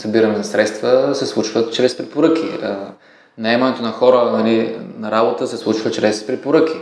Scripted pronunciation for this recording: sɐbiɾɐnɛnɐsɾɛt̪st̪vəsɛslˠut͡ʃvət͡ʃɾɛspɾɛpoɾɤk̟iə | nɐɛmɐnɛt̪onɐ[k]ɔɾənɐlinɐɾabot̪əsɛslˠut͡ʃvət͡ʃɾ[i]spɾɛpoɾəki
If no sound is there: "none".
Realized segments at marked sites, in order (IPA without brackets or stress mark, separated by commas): x, ɛ